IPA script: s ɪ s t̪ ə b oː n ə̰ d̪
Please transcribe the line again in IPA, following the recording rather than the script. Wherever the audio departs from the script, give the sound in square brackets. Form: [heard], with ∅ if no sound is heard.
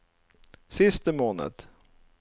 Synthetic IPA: s ɪ s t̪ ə [m] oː n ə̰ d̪